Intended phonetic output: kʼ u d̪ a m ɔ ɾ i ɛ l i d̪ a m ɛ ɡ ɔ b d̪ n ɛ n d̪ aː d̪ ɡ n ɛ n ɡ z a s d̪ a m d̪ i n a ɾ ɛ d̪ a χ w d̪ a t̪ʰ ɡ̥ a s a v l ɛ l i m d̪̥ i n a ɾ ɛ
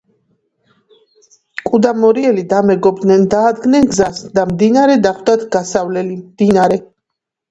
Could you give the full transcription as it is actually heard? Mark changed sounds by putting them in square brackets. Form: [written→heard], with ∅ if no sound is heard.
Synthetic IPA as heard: kʼ u d̪ a m ɔ ɾ i ɛ l i d̪ a m ɛ ɡ ɔ b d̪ n ɛ n d̪ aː d̪ ɡ n ɛ n ɡ z a s d̪ a m d̪ i n a ɾ ɛ d̪ a χ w d̪ a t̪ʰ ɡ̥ a s a v l ɛ l i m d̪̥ i n a ɾ ɛ